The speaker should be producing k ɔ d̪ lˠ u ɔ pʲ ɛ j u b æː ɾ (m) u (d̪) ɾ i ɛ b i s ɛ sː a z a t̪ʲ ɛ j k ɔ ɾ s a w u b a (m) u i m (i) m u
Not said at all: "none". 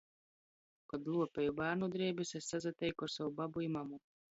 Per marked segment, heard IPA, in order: n, d̪, b, a

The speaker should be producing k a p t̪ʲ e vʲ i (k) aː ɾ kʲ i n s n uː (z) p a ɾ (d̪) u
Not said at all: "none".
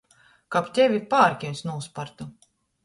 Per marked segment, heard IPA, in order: p, s, t̪

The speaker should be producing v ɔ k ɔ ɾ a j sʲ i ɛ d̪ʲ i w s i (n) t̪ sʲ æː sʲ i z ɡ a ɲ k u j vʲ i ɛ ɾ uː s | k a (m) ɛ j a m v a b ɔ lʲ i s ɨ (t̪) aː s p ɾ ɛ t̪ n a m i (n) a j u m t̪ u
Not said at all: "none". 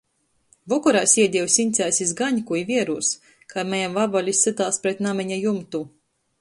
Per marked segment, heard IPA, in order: n, m, t̪, ɲ

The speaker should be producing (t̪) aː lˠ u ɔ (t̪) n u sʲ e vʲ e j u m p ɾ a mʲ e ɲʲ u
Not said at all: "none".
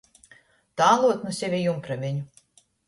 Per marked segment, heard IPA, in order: t̪, t̪

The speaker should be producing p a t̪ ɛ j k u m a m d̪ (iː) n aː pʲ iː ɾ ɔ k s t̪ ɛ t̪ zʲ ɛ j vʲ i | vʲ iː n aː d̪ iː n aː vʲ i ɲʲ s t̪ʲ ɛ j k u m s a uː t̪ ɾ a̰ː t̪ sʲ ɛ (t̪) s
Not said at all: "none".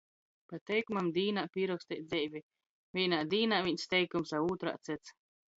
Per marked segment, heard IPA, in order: iː, t̪

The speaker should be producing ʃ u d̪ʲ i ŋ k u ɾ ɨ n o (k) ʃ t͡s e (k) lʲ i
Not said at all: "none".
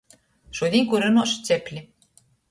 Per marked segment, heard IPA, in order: none, p

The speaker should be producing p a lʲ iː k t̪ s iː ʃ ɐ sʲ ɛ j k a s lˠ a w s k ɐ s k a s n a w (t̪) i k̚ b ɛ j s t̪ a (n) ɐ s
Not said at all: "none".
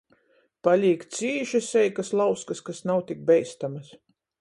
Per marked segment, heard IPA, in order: t̪, m

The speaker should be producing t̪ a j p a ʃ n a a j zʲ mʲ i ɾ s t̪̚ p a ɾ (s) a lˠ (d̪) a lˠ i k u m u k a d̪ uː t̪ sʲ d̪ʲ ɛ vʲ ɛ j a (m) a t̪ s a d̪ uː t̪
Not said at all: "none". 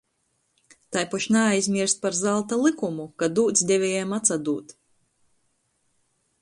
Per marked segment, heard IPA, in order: z, t̪, m

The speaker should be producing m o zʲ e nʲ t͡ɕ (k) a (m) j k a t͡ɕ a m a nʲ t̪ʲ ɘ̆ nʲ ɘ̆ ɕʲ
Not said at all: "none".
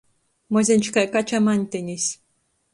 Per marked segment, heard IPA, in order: k, none

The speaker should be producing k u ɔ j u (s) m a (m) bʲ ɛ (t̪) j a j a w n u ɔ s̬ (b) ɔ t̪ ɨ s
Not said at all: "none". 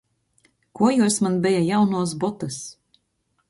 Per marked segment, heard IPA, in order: s, n, none, b

